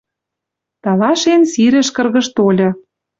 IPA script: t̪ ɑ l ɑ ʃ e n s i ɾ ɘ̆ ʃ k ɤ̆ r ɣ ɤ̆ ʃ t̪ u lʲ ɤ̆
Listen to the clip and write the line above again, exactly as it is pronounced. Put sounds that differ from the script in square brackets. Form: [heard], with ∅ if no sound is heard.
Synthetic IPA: t̪ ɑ l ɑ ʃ e n s i ɾ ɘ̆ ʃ k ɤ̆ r ɣ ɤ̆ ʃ t̪ [o] lʲ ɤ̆